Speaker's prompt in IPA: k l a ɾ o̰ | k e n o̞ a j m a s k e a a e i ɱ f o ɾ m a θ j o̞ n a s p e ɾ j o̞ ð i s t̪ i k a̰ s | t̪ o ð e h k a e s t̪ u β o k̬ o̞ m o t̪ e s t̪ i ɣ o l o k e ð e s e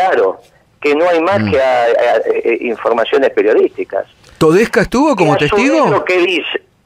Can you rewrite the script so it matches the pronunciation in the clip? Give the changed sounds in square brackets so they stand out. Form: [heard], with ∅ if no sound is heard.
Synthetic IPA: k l a ɾ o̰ | k e n o̞ a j m a s k e a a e i ɱ f o ɾ m a [s] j o̞ n [e] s p e ɾ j o̞ ð i s t̪ i k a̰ s | t̪ o ð e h k a e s t̪ u β o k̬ o̞ m o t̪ e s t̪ i ɣ o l o k e ð [i] s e